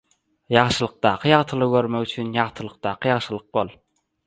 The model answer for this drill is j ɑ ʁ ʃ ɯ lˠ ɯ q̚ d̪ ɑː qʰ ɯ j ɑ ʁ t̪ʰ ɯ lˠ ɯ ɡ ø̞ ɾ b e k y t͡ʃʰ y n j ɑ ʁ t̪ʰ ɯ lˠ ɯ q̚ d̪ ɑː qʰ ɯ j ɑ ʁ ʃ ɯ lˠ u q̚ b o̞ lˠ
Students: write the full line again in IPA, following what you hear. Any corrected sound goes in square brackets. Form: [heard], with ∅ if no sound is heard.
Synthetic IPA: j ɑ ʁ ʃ ɯ lˠ ɯ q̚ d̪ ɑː qʰ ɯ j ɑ ʁ t̪ʰ ɯ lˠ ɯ ɡ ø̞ ɾ [m] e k y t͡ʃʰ y n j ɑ ʁ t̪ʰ ɯ lˠ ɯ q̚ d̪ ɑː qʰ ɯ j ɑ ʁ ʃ ɯ lˠ [ɯ] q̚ b o̞ lˠ